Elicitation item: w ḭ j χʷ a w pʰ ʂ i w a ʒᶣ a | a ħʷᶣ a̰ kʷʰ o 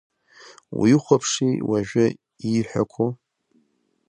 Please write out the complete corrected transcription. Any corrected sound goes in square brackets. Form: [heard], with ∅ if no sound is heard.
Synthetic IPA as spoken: w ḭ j χʷ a [∅] pʰ ʂ i w a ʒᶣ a | [i] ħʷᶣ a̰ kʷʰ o